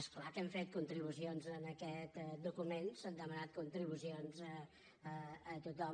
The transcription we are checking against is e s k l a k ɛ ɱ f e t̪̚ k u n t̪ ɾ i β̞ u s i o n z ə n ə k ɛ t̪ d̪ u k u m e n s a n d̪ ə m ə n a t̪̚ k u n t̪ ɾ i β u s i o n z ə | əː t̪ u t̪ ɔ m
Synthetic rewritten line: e s k l a k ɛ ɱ f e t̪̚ k u n t̪ ɾ i β̞ u s i o n z ə n ə k ɛ t̪ d̪ u k u m e n s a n d̪ ə m ə n a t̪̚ k u n t̪ ɾ i β u s i o n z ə | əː t̪ u t̪ ɔ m